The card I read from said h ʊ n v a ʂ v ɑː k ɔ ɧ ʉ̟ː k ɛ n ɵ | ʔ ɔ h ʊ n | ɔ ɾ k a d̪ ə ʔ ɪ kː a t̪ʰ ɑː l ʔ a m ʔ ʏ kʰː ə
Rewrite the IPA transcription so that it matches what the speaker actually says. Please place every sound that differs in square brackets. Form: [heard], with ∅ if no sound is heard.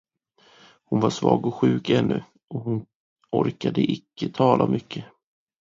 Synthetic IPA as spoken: h ʊ n v a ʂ v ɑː [ɡ] ɔ ɧ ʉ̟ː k ɛ [nː] ɵ | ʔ ɔ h ʊ n | ɔ ɾ k a d̪ ə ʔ ɪ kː [ə] t̪ʰ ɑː l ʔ a m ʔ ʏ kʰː ə